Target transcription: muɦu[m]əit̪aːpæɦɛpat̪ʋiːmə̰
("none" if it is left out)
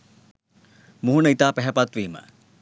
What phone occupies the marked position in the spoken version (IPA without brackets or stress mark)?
n